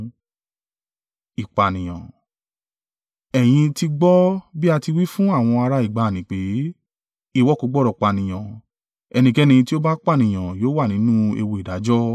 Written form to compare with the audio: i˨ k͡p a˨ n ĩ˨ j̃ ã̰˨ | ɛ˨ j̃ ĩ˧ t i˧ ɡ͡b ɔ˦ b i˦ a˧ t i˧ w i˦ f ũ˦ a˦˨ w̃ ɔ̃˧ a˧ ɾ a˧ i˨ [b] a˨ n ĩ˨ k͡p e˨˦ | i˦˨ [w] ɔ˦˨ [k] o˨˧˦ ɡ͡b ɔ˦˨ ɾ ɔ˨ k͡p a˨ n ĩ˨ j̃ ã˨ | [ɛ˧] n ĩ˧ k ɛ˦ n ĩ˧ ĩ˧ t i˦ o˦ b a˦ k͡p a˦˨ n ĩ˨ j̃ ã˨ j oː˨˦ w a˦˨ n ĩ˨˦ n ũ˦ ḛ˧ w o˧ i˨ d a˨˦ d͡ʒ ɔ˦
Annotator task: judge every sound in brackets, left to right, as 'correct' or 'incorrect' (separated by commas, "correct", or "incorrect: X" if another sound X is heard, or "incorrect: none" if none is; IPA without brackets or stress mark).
incorrect: ɡ͡b, correct, correct, correct